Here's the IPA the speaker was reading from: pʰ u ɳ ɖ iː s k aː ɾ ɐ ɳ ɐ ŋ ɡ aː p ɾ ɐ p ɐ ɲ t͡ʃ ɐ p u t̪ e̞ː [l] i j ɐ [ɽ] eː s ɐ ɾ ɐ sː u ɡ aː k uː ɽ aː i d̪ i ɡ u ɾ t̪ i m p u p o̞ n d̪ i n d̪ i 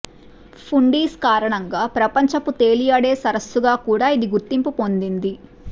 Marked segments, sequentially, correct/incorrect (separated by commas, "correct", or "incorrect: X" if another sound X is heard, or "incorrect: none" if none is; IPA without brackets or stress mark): correct, correct